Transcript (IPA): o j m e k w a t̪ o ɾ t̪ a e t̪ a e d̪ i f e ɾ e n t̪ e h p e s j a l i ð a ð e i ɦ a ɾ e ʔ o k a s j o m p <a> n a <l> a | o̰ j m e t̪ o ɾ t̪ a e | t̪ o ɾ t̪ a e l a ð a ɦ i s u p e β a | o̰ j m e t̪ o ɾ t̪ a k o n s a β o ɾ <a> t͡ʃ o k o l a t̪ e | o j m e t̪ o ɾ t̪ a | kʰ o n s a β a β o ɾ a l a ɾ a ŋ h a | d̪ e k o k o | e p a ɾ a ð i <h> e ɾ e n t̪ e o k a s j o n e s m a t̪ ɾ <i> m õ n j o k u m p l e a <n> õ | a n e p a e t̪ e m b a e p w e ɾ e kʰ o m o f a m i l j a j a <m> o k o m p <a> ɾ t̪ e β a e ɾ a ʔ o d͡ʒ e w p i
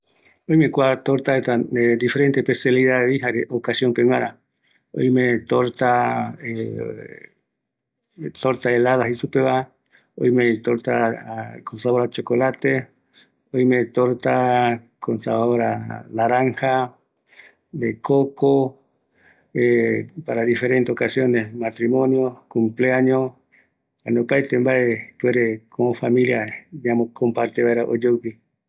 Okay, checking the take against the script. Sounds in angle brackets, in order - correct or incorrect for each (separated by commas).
incorrect, incorrect, correct, incorrect, correct, incorrect, correct, correct